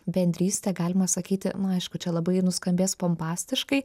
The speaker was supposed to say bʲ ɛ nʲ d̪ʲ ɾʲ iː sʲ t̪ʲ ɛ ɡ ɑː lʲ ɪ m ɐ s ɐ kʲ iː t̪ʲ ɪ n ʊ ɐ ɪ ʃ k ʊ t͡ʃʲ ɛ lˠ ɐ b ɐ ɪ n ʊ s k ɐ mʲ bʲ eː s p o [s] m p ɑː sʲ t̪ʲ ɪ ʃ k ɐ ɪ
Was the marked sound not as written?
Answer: yes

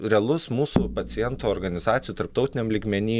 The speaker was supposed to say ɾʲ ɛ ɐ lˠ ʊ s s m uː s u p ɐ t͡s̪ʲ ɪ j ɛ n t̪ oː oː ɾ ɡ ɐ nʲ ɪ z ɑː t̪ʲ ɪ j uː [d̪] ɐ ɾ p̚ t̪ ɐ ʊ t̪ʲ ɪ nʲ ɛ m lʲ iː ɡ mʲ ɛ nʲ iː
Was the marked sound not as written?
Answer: yes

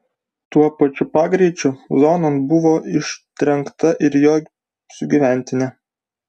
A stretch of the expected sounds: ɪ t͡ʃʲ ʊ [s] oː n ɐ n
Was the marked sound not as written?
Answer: yes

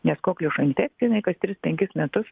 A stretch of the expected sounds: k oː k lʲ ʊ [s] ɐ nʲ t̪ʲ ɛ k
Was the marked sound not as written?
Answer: yes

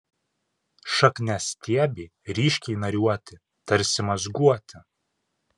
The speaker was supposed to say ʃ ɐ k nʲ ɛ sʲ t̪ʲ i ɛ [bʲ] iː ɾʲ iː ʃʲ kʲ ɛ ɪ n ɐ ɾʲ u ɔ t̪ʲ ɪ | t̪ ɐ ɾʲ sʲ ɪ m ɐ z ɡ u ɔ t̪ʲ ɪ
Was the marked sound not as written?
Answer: no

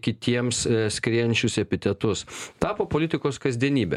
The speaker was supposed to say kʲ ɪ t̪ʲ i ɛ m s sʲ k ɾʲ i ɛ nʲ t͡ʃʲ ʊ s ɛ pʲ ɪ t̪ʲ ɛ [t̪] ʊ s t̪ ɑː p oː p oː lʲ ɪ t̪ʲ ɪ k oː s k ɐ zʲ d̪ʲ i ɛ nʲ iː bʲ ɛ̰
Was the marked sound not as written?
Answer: no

